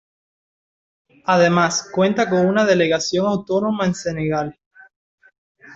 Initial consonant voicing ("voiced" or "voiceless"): voiced